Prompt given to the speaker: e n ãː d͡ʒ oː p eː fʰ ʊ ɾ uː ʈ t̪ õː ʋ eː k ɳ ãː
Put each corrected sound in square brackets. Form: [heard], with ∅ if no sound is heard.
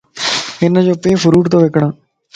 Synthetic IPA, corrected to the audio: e n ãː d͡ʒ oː p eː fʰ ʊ ɾ uː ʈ t̪ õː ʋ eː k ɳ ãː